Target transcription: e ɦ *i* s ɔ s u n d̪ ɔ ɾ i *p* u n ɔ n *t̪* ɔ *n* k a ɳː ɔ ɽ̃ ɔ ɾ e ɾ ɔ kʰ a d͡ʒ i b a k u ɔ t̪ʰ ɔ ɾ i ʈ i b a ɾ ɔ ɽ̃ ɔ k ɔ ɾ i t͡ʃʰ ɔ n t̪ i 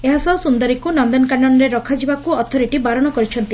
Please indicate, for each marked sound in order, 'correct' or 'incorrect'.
incorrect: a, incorrect: k, incorrect: d̪, correct

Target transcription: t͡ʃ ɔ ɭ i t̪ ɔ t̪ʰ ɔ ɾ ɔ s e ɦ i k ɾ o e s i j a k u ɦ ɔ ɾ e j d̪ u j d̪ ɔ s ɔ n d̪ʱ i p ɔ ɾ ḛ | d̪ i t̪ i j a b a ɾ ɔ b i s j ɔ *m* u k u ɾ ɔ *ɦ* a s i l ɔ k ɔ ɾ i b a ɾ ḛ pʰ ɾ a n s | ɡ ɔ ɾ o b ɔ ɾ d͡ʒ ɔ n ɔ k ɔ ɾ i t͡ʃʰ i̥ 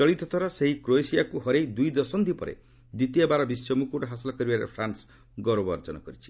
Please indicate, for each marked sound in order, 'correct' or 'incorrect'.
correct, correct

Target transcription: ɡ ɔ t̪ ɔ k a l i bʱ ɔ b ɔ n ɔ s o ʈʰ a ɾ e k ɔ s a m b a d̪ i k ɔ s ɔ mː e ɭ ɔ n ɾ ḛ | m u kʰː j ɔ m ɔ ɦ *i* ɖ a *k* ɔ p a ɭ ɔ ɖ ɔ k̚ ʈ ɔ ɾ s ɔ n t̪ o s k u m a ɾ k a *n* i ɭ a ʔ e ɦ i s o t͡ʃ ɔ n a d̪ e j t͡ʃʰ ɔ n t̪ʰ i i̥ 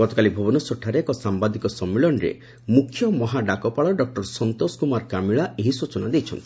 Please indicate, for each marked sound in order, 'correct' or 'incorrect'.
incorrect: a, correct, incorrect: m

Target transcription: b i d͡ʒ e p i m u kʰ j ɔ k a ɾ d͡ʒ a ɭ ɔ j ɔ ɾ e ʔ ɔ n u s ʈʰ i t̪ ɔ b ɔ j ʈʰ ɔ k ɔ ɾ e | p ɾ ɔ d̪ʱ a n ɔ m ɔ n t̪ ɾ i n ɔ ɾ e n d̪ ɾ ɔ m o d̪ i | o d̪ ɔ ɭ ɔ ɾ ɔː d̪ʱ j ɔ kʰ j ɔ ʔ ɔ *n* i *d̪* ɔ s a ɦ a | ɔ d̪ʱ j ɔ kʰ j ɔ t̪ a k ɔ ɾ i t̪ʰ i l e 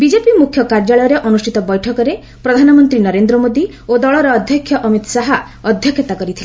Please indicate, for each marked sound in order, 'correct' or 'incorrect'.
incorrect: m, incorrect: t̪

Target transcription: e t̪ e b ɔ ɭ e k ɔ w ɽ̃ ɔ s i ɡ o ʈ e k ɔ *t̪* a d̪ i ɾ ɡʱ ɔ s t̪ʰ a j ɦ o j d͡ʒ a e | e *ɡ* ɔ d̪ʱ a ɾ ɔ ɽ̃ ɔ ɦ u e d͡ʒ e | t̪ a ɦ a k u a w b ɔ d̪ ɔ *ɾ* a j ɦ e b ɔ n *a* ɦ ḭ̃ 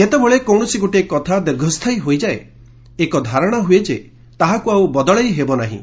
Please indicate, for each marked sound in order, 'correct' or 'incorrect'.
incorrect: t̪ʰ, incorrect: k, incorrect: ɭ, correct

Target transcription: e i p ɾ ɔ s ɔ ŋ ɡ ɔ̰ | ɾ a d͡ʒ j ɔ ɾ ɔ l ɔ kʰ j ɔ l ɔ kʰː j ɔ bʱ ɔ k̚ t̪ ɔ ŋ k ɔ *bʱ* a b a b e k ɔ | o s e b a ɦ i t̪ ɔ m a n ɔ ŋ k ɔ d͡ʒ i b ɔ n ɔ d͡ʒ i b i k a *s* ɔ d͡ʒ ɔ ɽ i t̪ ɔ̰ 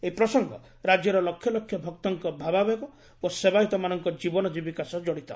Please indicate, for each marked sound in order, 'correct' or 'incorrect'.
correct, correct

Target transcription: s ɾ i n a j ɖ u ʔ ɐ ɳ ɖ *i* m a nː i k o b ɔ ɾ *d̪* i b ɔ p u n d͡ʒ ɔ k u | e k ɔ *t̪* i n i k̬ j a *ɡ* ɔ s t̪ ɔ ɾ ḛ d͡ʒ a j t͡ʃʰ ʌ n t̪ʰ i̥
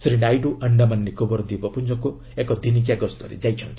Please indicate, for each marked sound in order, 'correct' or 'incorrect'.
incorrect: a, correct, incorrect: d̪, correct

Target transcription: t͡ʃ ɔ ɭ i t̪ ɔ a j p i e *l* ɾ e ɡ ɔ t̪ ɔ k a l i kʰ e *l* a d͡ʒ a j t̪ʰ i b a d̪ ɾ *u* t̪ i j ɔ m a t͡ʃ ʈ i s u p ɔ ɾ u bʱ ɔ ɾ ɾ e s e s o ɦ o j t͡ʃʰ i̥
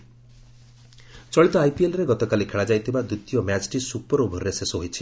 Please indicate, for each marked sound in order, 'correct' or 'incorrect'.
correct, incorrect: ɭ, correct

